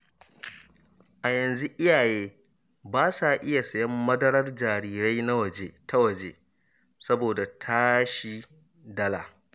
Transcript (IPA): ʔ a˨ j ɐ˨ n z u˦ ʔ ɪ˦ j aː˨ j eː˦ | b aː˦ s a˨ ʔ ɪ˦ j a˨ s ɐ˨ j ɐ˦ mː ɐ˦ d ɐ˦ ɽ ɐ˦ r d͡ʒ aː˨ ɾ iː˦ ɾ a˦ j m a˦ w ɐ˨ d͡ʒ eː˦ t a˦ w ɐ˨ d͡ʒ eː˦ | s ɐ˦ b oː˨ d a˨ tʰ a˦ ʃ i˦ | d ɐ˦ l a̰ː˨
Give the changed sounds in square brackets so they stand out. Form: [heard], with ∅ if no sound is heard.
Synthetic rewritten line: ʔ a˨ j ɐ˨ n z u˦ ʔ ɪ˦ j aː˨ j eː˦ | b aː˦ s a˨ ʔ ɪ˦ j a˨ s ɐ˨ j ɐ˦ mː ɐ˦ d ɐ˦ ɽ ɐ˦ r d͡ʒ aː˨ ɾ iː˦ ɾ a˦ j [n] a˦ w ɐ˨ d͡ʒ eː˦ t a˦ w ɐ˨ d͡ʒ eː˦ | s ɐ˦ b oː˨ d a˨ tʰ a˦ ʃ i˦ | d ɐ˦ l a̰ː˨

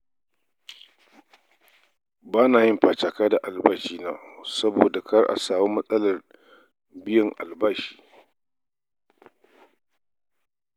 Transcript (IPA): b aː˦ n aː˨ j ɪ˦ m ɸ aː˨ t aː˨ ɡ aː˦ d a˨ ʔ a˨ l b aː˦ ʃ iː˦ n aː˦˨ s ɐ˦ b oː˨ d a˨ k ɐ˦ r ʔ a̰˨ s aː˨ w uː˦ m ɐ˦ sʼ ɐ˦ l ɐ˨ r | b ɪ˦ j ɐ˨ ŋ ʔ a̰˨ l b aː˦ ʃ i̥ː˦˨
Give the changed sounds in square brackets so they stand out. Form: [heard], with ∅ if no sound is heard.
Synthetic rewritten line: b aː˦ n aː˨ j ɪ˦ m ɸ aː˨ [t͡ʃ] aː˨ [k] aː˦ d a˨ ʔ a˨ l b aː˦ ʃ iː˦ n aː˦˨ s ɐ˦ b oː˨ d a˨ k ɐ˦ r ʔ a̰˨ s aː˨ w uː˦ m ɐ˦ sʼ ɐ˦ l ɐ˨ r | b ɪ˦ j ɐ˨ ŋ ʔ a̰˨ l b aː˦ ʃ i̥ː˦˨

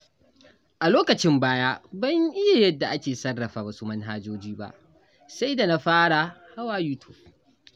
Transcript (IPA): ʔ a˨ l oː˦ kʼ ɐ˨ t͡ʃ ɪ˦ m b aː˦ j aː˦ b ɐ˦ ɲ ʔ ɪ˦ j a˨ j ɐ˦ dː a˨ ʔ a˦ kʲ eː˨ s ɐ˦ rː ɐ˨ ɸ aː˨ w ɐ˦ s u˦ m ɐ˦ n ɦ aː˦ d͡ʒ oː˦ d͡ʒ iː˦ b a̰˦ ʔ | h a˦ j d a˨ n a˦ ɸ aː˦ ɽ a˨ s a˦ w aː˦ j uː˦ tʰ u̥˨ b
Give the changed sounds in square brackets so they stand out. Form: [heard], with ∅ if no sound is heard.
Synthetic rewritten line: ʔ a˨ l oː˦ [k] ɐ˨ t͡ʃ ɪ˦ m b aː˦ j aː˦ b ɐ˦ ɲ ʔ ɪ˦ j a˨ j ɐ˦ dː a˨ ʔ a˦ kʲ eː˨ s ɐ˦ rː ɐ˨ ɸ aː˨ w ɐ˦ s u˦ m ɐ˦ n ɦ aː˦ d͡ʒ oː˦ d͡ʒ iː˦ b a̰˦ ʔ | [s] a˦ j d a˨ n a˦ ɸ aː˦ ɽ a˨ [h] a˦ w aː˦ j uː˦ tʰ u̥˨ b

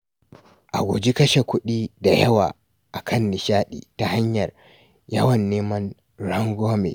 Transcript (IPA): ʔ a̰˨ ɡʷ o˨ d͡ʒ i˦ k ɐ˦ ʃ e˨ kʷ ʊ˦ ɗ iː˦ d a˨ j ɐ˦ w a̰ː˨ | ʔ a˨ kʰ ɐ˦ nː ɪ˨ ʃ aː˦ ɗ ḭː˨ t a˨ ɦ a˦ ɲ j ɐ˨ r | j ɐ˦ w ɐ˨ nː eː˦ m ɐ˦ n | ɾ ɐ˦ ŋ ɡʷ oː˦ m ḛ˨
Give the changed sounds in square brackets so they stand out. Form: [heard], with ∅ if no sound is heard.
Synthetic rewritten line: ʔ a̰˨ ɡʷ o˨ d͡ʒ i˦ k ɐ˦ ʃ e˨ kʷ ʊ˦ ɗ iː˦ d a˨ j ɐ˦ w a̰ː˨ | ʔ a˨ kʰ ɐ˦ nː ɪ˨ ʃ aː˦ ɗ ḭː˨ t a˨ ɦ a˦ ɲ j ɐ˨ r | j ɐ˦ w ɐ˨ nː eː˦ m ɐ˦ n | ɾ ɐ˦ ŋ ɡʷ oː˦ m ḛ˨

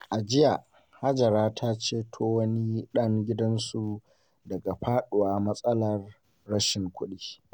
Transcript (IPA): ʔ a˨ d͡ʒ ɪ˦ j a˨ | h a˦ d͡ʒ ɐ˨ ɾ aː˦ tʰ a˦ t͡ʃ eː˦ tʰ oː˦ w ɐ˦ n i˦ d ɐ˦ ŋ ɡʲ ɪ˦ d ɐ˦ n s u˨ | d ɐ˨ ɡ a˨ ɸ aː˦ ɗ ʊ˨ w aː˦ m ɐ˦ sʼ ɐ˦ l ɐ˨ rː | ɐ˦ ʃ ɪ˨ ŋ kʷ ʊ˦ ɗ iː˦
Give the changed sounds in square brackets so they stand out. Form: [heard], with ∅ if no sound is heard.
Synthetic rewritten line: ʔ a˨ d͡ʒ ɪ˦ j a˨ | h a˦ d͡ʒ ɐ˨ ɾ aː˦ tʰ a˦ t͡ʃ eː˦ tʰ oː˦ w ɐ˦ n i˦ [ɗ] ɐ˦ ŋ ɡʲ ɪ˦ d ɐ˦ n s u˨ | d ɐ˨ ɡ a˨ ɸ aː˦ ɗ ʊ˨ w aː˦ m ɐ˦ sʼ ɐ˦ l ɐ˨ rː | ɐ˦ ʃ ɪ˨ ŋ kʷ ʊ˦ ɗ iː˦

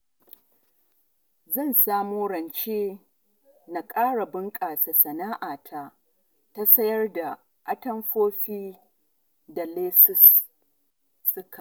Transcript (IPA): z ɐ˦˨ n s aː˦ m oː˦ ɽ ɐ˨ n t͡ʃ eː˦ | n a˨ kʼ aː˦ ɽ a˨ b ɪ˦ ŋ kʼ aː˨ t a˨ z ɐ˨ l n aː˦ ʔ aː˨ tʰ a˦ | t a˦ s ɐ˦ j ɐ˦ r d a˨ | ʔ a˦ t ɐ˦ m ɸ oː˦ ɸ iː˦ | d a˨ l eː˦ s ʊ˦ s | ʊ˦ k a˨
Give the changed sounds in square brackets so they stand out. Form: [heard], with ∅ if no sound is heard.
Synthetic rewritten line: z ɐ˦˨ n s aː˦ m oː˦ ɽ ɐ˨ n t͡ʃ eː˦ | n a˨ kʼ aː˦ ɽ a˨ b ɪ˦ ŋ kʼ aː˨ [s] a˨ [s] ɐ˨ [∅] n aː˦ ʔ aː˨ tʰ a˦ | t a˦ s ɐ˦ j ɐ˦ r d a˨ | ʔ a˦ t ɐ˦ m ɸ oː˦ ɸ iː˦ | d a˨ l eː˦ s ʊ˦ s | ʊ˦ k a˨

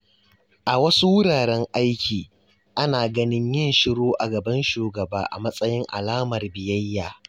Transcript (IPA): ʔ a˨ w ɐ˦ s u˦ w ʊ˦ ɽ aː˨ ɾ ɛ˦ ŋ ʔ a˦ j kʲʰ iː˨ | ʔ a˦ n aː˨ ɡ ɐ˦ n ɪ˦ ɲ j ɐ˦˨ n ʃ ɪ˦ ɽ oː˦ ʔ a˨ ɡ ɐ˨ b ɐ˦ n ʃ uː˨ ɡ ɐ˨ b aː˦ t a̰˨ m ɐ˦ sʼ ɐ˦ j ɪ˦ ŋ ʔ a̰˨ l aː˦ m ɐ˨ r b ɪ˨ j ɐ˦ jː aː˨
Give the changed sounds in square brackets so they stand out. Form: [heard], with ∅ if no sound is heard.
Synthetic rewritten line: ʔ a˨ w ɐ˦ s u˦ w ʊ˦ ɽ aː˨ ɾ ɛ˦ ŋ ʔ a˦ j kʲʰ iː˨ | ʔ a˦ n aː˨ ɡ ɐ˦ n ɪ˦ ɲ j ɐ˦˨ n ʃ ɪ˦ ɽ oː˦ ʔ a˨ ɡ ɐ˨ b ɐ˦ n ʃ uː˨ ɡ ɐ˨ b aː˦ [ʔ] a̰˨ m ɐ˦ sʼ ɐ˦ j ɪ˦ ŋ ʔ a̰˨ l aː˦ m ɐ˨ r b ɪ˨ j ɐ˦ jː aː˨

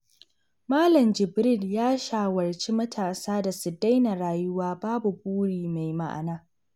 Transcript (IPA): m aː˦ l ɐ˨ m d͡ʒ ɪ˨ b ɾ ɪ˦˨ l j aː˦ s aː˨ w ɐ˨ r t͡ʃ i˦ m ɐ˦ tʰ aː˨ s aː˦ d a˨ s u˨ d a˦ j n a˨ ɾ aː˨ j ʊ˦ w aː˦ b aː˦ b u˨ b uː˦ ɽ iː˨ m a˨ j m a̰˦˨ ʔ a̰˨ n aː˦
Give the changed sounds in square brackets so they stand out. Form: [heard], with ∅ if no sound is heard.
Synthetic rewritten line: m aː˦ l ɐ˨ m d͡ʒ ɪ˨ b ɾ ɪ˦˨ l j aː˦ [ʃ] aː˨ w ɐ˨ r t͡ʃ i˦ m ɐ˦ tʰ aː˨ s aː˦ d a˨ s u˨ d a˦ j n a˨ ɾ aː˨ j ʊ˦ w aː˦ b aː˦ b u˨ b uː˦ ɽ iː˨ m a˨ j m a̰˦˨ ʔ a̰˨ n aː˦

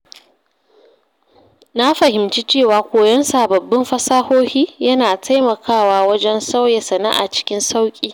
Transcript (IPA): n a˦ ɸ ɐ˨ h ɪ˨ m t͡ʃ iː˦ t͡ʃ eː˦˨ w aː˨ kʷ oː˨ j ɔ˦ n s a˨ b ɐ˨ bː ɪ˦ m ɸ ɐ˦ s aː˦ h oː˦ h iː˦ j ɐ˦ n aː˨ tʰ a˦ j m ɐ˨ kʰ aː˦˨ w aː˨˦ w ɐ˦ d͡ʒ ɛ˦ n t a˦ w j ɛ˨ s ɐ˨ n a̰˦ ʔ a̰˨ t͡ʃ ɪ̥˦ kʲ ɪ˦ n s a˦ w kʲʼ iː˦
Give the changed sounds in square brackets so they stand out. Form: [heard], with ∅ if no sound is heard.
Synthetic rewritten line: n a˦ ɸ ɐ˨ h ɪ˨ m t͡ʃ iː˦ t͡ʃ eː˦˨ w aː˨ kʷ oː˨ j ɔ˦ n s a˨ b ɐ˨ bː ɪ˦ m ɸ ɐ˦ s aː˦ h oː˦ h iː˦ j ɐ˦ n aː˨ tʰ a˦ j m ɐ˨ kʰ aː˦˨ w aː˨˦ w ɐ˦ d͡ʒ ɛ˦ n [s] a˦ w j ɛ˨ s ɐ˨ n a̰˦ ʔ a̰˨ t͡ʃ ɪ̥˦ kʲ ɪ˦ n s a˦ w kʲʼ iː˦

